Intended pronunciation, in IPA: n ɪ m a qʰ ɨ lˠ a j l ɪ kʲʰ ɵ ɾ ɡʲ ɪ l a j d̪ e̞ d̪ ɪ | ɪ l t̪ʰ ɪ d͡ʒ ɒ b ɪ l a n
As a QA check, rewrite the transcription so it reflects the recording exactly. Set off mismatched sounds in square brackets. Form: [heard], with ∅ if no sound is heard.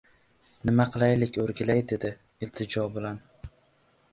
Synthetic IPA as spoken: n ɪ m a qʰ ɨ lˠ a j l ɪ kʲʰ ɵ ɾ ɡʲ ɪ l a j d̪ e̞ d̪ ɪ | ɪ l t̪ʰ ɪ d͡ʒ ɒ b ɪ l a n